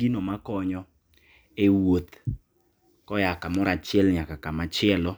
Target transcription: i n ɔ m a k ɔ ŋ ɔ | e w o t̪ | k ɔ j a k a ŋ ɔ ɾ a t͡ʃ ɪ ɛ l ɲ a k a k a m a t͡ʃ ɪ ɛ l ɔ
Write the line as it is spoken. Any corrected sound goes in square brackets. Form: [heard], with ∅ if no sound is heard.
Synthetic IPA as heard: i n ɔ m a k ɔ [ɲ] ɔ | e w o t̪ | k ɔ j a k a [m] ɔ ɾ a t͡ʃ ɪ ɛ l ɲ a k a k a m a t͡ʃ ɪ ɛ l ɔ